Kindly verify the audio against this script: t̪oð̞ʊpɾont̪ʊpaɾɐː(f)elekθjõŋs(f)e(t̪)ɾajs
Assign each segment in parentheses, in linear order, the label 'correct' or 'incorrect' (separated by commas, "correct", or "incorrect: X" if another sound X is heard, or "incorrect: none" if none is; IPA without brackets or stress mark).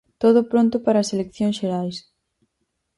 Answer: incorrect: s, incorrect: ʃ, incorrect: none